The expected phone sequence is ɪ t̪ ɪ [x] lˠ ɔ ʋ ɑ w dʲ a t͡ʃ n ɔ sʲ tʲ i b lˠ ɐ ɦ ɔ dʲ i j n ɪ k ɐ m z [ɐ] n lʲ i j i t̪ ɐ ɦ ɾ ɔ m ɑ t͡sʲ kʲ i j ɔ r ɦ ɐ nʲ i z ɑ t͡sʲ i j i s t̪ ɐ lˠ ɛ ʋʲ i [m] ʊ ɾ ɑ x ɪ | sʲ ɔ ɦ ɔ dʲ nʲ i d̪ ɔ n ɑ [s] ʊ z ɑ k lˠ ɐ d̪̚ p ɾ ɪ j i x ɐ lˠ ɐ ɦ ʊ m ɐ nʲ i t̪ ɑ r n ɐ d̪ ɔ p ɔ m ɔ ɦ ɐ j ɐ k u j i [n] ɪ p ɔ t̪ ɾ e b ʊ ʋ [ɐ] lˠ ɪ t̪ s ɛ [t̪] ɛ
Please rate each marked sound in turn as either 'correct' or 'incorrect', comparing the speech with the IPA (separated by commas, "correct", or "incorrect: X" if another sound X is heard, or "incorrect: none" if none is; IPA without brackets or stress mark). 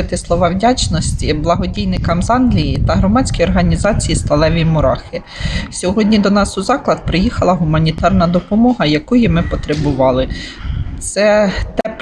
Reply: incorrect: s, incorrect: ɑ, correct, correct, incorrect: m, incorrect: ɑ, correct